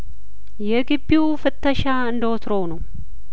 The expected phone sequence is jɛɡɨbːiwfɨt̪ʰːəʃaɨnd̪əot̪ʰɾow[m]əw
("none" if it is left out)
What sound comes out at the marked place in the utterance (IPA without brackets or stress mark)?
n